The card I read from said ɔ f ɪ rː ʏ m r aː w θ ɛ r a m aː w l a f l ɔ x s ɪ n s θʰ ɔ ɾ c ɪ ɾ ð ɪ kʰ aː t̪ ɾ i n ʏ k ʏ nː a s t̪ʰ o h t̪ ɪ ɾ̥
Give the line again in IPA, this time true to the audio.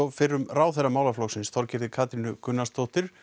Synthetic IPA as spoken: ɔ f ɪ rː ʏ m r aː w θ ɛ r a m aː w l a f l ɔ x s ɪ n s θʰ ɔ ɾ c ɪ ɾ ð ɪ kʰ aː t̪ ɾ i n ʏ k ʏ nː a s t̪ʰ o h t̪ ɪ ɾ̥